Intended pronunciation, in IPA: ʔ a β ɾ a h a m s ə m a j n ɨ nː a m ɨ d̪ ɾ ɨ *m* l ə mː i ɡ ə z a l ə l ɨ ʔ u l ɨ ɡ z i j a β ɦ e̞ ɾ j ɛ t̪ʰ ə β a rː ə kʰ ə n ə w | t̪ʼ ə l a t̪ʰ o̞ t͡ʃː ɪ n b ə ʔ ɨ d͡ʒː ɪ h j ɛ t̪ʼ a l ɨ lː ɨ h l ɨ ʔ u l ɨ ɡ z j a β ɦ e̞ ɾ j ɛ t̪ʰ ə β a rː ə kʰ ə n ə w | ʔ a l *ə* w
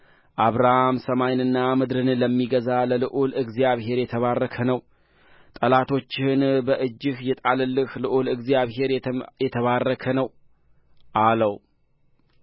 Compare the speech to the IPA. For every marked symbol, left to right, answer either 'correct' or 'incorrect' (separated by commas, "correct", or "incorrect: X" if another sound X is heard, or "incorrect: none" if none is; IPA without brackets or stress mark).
incorrect: n, correct